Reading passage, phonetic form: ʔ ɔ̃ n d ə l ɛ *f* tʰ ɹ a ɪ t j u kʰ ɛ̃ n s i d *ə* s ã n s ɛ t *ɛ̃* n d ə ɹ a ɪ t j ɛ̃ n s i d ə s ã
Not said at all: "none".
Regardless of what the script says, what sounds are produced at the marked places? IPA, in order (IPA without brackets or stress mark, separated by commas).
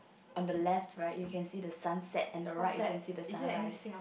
f, ə, ɛ̃